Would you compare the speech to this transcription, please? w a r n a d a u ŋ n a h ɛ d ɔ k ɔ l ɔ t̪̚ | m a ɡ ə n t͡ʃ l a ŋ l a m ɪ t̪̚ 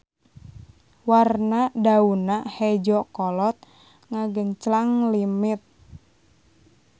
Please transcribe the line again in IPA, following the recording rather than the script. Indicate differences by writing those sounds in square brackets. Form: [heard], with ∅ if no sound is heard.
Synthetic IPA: w a r n a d a u [∅] n a h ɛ [d͡ʒ] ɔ k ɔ l ɔ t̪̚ | [ŋ] a ɡ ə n t͡ʃ l a ŋ l [i] m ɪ t̪̚